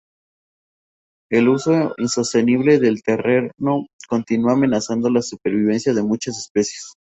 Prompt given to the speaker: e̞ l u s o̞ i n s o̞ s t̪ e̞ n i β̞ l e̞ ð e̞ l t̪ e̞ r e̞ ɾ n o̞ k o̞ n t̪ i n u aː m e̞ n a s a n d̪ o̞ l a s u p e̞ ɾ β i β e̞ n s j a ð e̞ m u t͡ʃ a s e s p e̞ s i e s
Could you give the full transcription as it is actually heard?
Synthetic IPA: e̞ l u s o̞ i n s o̞ s t̪ e̞ n i β̞ l e̞ ð e̞ l t̪ e̞ r e̞ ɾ n o̞ k o̞ n t̪ i n u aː m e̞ n a s a n d̪ o̞ l a s u p e̞ ɾ β i β e̞ n s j a ð e̞ m u t͡ʃ a s e s p e̞ s j e s

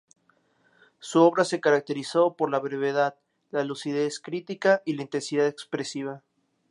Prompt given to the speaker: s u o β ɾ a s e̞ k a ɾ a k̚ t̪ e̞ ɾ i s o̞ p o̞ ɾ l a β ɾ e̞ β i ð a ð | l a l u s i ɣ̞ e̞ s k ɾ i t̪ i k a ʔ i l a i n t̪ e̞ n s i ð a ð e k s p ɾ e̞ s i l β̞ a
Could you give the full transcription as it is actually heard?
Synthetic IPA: s u o β ɾ a s e̞ k a ɾ a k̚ t̪ e̞ ɾ i s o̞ p o̞ ɾ l a β ɾ e̞ β e ð a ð | l a l u s i ð̞ e̞ s k ɾ i t̪ i k a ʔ i l a i n t̪ e̞ n s i ð a ð e k s p ɾ e̞ s i β̞ a

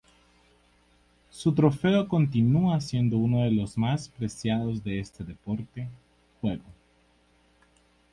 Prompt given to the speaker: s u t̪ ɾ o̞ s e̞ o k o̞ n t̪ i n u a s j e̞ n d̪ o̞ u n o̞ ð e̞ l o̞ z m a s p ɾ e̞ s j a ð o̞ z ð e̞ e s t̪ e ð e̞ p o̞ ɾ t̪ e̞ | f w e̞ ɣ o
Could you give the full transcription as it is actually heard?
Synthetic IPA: s u t̪ ɾ o̞ f e̞ o k o̞ n t̪ i n u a s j e̞ n d̪ o̞ u n o̞ ð e̞ l o̞ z m a s p ɾ e̞ s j a ð o̞ z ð e̞ e s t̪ e ð e̞ p o̞ ɾ t̪ e̞ | x w e̞ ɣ o

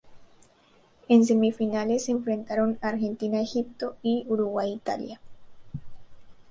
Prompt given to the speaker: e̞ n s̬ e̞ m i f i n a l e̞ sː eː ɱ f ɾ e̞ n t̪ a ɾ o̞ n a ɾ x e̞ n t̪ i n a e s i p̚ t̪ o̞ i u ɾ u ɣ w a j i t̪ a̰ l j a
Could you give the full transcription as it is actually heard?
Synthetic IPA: e̞ n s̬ e̞ m i f i n a l e̞ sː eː ɱ f ɾ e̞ n t̪ a ɾ o̞ n a ɾ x e̞ n t̪ i n a e x i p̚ t̪ o̞ i u ɾ u ɣ w a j i t̪ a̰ l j a

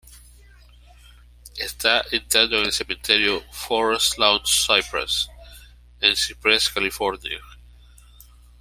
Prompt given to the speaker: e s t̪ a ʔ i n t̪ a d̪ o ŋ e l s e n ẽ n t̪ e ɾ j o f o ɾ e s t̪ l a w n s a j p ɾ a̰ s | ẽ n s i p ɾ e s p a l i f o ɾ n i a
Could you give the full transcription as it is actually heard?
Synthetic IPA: e s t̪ a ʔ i n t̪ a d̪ o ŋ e l s e m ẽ n t̪ e ɾ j o f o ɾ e s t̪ l a w n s a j p ɾ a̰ s | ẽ n s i p ɾ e s k a l i f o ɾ n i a

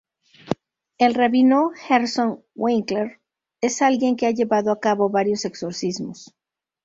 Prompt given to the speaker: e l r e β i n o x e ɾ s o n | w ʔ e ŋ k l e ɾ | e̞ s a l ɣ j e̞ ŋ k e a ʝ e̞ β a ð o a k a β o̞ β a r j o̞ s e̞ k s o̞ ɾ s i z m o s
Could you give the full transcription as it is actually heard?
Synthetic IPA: e l r e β i n o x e ɾ s o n | w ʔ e ŋ k l e ɾ | e̞ s a l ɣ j e̞ ŋ k e a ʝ e̞ β a ð o a k a β o̞ β a ɾ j o̞ s e̞ k s o̞ ɾ s i z m o s

